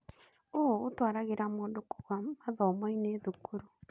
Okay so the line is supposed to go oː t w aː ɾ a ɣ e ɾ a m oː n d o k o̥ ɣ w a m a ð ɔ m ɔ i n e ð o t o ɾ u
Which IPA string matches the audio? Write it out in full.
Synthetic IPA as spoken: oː t w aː ɾ a ɣ e ɾ a m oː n d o k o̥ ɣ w a m a ð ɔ m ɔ i n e ð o k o ɾ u